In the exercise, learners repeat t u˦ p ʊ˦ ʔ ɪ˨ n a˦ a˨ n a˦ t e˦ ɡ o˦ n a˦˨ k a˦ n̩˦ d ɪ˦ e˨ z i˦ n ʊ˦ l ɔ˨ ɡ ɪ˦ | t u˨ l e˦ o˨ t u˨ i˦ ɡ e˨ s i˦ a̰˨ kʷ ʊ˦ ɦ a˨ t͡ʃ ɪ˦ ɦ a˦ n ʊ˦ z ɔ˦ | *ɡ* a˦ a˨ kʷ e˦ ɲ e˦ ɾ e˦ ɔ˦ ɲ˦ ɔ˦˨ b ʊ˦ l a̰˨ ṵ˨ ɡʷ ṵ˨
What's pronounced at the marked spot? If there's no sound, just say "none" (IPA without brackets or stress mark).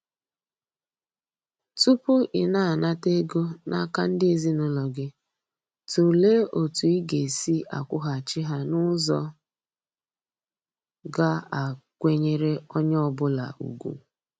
ɡ